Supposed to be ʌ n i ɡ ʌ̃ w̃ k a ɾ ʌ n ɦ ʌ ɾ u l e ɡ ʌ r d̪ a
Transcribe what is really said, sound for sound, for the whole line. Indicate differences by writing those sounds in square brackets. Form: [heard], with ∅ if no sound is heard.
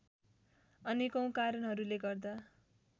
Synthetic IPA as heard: ʌ n i [k] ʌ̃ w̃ k a ɾ ʌ n ɦ ʌ ɾ u l e ɡ ʌ r d̪ a